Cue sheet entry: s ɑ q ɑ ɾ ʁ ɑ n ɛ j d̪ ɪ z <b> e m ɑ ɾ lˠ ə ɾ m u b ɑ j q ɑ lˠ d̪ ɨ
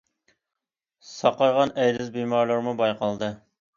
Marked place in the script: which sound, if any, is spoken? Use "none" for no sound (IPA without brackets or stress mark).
b